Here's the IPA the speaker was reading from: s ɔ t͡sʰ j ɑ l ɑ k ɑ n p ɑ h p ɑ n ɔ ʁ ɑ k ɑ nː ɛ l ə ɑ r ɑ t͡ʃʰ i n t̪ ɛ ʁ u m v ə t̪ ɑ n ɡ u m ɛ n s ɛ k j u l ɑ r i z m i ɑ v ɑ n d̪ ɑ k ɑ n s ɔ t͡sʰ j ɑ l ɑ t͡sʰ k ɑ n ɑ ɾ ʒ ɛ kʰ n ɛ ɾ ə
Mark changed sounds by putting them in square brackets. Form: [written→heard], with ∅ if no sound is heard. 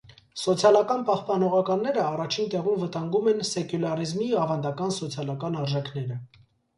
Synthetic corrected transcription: s ɔ t͡sʰ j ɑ l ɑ k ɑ n p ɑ h p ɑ n ɔ ʁ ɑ k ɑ nː ɛ [l→ɾ] ə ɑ r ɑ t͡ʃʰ i n t̪ ɛ ʁ u m v ə t̪ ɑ [n→ŋ] ɡ u m ɛ n s ɛ k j u l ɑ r i z m i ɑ v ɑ n d̪ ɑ k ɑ n s ɔ t͡sʰ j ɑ l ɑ [t͡sʰ→∅] k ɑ n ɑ ɾ ʒ ɛ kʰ n ɛ ɾ ə